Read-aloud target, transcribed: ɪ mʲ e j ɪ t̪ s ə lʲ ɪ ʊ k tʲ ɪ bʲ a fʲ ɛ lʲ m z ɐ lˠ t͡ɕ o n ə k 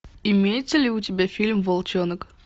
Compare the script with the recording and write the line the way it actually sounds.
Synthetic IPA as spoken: ɪ mʲ e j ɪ t̪ s ə lʲ ɪ ʊ tʲ ɪ bʲ a fʲ i lʲ m v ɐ lˠ t͡ɕ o n ə k